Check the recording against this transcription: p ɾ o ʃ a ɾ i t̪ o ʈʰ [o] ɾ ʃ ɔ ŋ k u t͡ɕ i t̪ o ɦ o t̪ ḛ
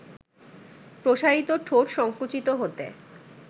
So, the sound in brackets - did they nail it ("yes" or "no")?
yes